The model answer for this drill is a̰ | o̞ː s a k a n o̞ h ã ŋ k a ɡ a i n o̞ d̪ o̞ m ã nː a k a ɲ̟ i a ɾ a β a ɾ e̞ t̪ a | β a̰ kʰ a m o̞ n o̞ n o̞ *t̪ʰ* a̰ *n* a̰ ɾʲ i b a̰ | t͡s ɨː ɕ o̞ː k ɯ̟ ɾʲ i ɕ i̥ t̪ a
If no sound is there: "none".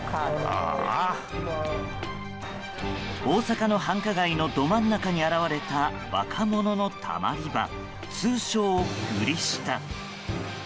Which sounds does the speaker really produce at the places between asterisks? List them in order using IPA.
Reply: t̪ʰ, m

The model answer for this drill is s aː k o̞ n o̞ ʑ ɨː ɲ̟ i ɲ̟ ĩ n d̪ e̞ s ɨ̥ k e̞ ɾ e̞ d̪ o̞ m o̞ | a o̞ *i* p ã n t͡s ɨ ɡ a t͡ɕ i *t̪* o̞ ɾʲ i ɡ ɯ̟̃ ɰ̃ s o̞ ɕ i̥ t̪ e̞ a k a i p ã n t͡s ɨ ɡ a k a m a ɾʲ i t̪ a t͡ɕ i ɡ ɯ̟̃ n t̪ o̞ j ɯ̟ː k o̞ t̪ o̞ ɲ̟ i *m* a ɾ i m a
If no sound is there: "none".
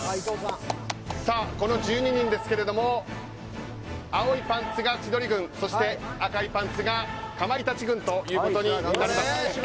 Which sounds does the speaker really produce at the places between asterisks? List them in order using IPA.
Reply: i, d̪, n

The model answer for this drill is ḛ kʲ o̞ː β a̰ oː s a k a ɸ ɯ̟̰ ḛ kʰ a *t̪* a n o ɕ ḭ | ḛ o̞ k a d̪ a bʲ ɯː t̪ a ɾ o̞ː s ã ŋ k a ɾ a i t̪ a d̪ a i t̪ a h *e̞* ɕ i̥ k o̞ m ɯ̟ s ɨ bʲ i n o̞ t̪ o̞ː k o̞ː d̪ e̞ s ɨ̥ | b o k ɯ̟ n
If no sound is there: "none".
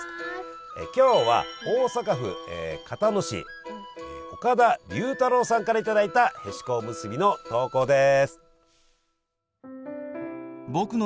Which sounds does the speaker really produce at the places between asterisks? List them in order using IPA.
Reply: t̪, e̞

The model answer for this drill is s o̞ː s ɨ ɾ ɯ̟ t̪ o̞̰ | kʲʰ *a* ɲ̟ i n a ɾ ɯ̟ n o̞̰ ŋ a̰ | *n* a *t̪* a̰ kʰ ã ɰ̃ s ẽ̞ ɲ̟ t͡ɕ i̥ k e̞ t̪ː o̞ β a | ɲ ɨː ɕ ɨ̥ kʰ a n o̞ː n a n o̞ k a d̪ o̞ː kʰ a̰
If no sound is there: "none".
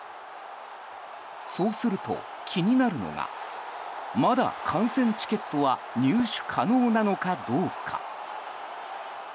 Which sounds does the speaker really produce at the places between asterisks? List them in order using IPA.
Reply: i, m, d̪

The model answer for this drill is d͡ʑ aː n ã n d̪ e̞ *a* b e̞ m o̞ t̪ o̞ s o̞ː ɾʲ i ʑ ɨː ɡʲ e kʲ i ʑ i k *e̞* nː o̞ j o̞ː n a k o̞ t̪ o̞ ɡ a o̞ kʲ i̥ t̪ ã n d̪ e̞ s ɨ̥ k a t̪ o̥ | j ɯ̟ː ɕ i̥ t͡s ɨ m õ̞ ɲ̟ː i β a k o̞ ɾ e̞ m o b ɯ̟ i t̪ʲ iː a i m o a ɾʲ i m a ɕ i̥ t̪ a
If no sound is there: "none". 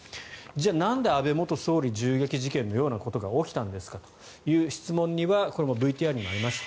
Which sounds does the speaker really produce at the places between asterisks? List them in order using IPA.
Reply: a, ẽ̞

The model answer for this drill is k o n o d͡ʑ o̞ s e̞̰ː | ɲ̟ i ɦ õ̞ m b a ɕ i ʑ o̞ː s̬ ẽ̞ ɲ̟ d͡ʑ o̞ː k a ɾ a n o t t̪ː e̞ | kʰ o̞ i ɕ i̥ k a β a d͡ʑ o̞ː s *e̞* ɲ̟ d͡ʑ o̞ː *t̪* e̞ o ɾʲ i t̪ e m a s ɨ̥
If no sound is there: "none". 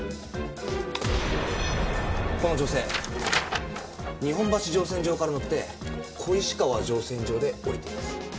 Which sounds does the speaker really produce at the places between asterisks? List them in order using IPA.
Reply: ẽ̞, d̪

